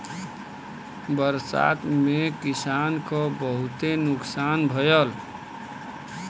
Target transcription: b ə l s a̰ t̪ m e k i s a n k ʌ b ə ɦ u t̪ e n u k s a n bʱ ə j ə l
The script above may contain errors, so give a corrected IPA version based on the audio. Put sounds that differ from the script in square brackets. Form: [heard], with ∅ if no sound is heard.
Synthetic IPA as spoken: b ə [ɾ] s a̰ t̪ m e k i s a n k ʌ b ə ɦ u t̪ e n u k s a n bʱ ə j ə l